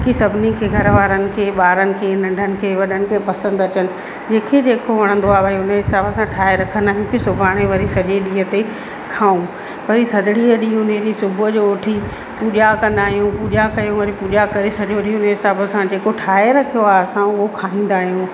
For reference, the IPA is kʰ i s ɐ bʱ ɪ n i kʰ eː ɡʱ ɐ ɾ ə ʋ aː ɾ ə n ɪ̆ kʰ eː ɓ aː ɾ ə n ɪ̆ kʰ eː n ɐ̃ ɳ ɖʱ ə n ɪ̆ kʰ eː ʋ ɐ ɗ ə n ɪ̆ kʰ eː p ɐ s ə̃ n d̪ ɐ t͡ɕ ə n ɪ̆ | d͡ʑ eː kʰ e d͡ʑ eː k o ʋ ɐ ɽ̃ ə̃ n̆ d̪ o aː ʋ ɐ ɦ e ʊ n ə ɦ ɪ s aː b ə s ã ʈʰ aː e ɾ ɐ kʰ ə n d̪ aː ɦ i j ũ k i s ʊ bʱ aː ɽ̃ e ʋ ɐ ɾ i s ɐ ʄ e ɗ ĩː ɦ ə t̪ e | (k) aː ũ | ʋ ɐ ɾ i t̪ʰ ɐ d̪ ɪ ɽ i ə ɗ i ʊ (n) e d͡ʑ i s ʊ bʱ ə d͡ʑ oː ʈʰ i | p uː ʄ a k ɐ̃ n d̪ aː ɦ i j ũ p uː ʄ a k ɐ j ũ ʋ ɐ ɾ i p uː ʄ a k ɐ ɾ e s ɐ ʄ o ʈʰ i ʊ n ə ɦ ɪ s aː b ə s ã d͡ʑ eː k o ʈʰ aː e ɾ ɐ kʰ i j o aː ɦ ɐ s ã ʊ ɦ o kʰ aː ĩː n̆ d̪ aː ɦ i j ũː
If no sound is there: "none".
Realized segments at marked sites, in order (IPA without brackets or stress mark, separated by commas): kʰ, n